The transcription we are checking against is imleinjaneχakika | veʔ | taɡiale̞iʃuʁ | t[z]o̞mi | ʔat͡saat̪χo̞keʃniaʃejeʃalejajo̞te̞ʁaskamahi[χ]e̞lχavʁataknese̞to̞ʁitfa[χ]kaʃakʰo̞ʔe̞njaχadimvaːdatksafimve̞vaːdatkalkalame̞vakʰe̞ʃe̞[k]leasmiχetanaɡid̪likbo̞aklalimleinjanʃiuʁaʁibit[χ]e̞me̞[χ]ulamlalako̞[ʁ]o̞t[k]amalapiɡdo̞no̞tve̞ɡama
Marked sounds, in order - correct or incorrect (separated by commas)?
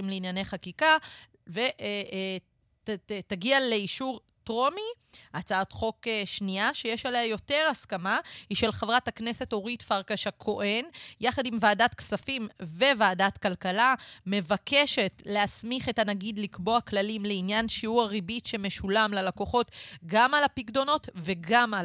incorrect, incorrect, incorrect, incorrect, incorrect, incorrect, incorrect, incorrect